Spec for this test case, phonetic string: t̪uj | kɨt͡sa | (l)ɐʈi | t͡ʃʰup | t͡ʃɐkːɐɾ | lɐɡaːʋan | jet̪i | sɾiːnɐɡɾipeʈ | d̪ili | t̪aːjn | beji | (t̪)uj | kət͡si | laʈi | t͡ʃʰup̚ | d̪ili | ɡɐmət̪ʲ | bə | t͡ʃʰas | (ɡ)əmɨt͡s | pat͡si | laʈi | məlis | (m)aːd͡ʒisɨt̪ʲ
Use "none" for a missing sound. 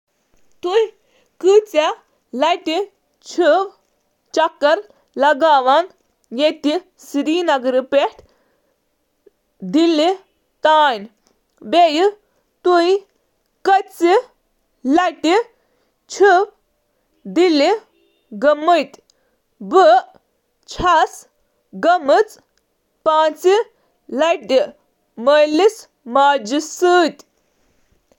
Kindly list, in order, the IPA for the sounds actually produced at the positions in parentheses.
l, t̪, ɡ, m

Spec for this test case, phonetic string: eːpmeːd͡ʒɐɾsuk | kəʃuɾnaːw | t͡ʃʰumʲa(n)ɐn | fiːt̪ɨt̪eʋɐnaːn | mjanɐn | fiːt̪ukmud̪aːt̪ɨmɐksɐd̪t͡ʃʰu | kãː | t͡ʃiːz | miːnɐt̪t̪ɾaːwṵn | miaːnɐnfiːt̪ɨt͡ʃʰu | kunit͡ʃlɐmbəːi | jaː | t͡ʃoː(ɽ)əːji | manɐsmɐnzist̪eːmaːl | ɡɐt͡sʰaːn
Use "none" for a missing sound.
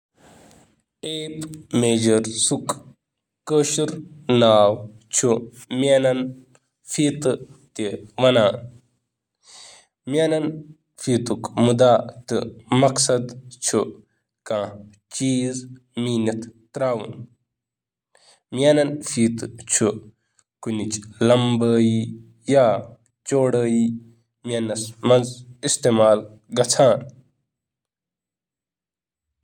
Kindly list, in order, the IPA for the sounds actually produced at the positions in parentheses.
n, ɽ

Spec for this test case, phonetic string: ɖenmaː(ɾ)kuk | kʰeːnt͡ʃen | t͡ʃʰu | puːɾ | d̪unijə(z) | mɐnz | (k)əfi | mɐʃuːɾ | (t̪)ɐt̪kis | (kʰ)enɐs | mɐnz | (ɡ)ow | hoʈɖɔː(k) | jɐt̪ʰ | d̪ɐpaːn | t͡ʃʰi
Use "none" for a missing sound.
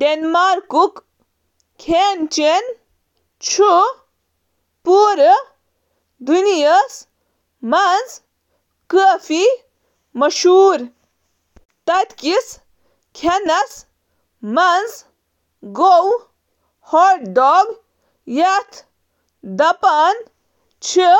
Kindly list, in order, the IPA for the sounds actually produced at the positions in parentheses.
ɾ, s, k, t̪, kʰ, ɡ, ɡ

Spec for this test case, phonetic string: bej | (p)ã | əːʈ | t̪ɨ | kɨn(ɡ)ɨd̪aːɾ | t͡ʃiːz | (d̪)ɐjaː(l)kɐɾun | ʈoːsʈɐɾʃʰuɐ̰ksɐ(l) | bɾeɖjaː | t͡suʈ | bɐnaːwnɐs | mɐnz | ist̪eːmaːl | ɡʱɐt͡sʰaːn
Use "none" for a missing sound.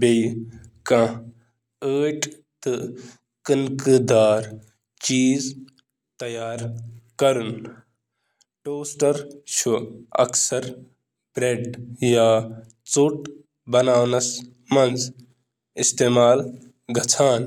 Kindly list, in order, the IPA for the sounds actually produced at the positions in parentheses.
k, k, t̪, ɾ, ɾ

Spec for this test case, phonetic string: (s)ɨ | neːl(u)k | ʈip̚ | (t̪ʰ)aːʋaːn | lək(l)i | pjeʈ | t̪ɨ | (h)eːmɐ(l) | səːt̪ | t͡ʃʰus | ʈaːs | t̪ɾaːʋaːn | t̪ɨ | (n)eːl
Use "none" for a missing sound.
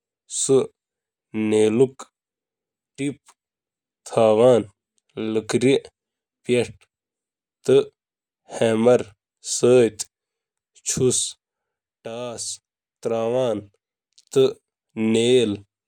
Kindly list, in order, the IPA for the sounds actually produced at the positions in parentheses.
s, u, t̪ʰ, ɾ, h, ɾ, n

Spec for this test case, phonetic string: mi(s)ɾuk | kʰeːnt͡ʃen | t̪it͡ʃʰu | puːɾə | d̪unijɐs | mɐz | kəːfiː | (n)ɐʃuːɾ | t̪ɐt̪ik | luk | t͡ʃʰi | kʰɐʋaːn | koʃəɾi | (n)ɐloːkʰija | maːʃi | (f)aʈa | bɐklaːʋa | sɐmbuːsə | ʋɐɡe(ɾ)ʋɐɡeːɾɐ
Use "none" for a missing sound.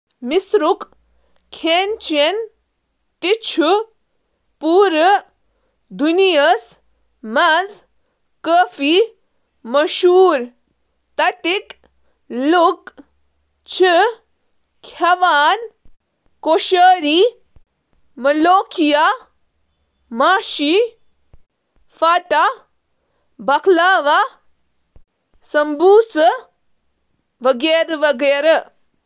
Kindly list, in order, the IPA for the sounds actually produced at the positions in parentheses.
s, m, m, f, ɾ

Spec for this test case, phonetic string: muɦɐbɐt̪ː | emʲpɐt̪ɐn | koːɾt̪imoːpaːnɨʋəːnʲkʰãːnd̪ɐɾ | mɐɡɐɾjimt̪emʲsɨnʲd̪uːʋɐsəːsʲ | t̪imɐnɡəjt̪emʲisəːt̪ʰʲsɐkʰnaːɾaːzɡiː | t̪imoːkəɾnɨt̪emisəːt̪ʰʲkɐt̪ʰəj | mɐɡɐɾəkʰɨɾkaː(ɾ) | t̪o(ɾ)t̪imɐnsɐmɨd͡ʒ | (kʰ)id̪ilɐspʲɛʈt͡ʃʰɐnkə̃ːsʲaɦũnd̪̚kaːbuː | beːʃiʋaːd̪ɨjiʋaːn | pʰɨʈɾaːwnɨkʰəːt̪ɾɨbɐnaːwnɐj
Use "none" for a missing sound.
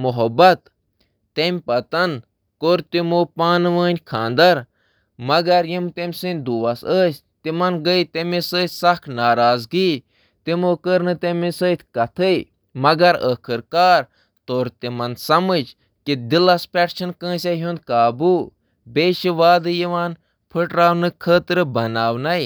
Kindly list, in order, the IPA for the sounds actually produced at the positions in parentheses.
ɾ, ɾ, k

